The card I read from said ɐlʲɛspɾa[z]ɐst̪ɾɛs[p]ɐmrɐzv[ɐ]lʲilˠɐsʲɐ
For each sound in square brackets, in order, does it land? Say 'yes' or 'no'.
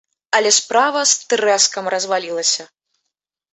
no, no, no

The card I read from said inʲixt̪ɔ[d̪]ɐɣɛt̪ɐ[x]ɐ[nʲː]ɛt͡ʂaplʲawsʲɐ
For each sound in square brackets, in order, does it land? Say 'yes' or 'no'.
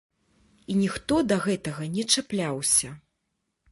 yes, no, no

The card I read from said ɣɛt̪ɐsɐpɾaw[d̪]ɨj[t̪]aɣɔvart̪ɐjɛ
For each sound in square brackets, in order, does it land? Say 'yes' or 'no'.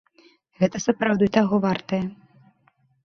yes, yes

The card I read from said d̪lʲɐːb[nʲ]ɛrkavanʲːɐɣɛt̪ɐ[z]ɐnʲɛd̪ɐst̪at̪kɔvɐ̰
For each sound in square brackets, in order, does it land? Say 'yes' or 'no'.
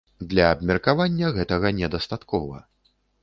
no, no

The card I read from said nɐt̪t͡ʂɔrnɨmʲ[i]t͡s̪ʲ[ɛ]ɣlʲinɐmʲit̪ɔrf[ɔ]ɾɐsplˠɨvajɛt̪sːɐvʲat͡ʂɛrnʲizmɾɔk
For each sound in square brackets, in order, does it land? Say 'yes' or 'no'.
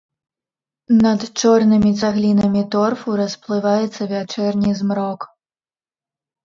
yes, no, no

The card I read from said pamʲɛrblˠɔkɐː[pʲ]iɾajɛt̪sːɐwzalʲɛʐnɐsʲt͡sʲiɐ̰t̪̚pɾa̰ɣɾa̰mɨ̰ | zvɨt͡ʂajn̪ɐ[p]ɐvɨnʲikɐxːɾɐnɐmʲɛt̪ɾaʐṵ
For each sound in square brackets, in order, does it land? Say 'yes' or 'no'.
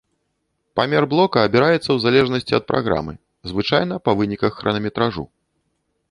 no, yes

